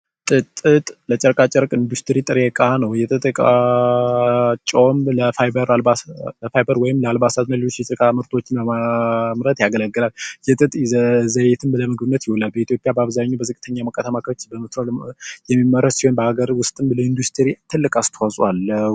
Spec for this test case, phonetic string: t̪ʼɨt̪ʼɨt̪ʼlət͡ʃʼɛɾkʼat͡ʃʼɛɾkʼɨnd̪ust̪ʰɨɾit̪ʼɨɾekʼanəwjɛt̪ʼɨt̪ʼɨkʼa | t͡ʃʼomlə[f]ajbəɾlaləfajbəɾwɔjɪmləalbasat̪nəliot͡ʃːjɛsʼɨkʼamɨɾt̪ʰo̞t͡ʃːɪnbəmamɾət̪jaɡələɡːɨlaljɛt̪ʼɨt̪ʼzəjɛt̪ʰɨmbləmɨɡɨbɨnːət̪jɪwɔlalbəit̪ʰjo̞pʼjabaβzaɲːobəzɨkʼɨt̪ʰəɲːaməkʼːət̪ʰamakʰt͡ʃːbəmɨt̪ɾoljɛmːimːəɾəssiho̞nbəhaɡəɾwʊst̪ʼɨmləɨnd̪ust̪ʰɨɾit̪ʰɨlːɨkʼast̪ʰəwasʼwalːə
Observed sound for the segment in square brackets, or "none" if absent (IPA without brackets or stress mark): f